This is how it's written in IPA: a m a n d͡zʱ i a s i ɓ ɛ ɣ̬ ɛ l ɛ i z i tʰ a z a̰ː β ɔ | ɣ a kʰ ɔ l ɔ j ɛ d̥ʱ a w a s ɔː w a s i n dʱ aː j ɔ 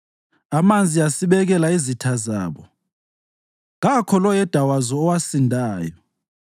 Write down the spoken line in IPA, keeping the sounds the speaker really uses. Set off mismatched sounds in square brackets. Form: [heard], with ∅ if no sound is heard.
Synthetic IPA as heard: a m a n d͡zʱ i a s i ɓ ɛ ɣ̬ ɛ l [a] i z i tʰ a z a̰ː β ɔ | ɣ a kʰ ɔ l ɔ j ɛ d̥ʱ a w a [z] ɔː w a s i n dʱ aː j ɔ